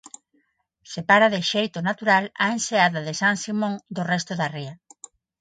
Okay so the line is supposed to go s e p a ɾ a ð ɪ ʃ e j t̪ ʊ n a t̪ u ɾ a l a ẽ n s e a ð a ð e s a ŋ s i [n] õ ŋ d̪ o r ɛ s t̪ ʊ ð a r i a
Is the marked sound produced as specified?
no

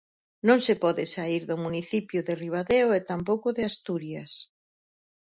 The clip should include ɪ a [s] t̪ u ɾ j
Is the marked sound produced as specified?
yes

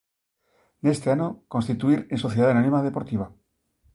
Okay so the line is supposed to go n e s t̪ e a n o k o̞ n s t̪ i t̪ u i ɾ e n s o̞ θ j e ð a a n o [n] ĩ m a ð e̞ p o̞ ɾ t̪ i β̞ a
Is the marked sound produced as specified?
yes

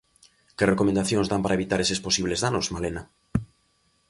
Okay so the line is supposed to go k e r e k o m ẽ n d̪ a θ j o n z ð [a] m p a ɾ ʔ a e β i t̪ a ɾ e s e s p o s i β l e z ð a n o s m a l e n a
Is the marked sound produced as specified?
yes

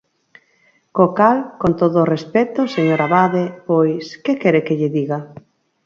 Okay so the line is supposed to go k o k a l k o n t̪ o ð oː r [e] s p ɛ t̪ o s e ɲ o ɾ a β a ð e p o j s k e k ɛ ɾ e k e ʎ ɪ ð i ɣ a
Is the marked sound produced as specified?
yes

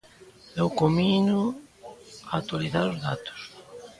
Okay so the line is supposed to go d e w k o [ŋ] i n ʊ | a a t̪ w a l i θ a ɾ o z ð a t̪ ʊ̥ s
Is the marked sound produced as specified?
no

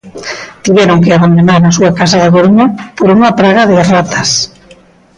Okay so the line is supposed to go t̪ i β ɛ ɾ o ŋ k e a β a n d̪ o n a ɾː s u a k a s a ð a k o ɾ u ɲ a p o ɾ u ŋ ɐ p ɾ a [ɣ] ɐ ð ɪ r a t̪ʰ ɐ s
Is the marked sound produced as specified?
yes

